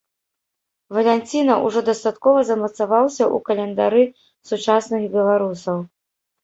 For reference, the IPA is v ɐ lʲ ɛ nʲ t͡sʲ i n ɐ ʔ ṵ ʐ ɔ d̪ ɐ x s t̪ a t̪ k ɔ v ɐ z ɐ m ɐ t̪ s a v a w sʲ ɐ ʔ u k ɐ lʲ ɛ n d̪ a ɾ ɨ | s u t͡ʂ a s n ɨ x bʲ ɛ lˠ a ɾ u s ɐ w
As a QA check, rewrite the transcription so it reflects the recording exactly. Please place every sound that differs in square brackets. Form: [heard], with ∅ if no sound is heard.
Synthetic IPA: v ɐ lʲ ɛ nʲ t͡sʲ i n ɐ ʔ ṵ ʐ ɔ d̪ ɐ [∅] s t̪ a t̪ k ɔ v ɐ z ɐ m ɐ t̪ s a v a w sʲ ɐ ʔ u k ɐ lʲ ɛ n d̪ a ɾ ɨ | s u t͡ʂ a s n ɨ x bʲ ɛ lˠ a ɾ u s ɐ w